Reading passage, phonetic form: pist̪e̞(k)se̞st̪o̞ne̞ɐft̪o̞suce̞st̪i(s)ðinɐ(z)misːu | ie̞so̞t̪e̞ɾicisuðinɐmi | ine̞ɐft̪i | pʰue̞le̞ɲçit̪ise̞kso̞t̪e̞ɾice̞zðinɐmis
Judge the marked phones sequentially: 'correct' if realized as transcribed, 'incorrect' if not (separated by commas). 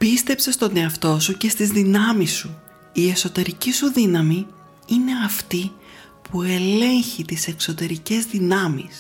incorrect, incorrect, incorrect